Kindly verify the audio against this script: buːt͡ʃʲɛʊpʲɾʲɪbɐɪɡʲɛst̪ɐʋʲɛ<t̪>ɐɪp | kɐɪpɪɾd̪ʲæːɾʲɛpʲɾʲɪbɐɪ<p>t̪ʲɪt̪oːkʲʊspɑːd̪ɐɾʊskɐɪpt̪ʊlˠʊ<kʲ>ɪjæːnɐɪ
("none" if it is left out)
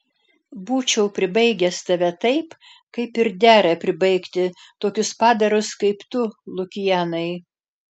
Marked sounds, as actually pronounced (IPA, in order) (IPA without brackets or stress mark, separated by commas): t̪, k, kʲ